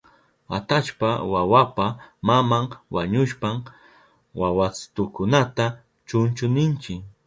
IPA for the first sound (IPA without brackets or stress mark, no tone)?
a